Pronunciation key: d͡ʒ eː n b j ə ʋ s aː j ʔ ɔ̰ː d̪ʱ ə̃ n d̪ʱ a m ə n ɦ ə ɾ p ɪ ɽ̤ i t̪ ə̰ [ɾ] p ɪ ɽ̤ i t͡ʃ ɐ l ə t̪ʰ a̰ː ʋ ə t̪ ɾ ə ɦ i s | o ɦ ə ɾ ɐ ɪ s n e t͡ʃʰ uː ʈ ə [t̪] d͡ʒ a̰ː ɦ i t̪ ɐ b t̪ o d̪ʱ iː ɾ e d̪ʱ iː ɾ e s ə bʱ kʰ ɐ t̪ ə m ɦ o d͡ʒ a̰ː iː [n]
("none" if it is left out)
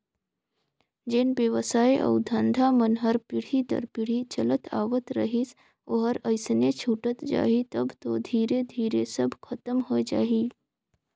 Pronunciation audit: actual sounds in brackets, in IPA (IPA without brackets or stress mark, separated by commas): ɾ, t̪, none